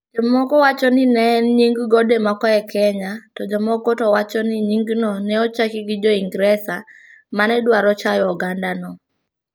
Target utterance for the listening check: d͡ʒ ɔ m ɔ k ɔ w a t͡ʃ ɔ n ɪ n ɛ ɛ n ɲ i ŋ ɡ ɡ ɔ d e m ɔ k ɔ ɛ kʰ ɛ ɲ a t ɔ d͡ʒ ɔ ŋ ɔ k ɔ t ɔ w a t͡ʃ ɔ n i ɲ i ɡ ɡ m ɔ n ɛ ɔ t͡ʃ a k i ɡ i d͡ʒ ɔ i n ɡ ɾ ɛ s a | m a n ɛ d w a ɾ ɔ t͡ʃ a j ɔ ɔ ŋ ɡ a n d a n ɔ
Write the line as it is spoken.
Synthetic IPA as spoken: d͡ʒ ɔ m ɔ k ɔ w a t͡ʃ ɔ n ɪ n ɛ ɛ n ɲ i ŋ ɡ ɡ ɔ d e m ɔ k ɔ ɛ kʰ ɛ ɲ a t ɔ d͡ʒ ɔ m ɔ k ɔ t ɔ w a t͡ʃ ɔ n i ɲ i ŋ ɡ n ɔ n ɛ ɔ t͡ʃ a k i ɡ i d͡ʒ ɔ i ŋ ɡ ɾ ɛ s a | m a n ɛ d w a ɾ ɔ t͡ʃ a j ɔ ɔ ɡ a n d a n ɔ